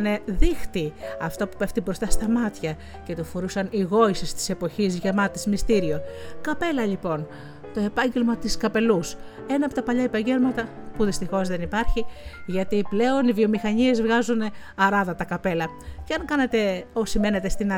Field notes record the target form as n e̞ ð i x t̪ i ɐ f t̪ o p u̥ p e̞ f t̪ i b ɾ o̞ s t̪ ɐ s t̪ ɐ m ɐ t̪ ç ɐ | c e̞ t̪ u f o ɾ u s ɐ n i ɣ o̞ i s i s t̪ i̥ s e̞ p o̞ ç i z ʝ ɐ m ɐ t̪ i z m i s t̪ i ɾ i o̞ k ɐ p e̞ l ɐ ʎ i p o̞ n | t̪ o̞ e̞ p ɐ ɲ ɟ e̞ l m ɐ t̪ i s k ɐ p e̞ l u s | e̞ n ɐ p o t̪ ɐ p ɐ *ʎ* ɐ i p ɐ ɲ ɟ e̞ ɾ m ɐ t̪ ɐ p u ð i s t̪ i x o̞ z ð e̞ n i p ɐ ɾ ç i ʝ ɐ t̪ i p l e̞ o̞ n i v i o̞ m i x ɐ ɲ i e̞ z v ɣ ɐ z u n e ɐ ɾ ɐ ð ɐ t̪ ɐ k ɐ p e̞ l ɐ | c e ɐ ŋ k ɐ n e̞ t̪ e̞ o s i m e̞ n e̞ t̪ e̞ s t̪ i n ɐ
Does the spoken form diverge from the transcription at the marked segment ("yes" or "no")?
no